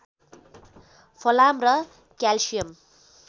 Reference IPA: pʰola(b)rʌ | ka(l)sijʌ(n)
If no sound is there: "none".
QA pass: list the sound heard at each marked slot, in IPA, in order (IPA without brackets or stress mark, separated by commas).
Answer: m, l, m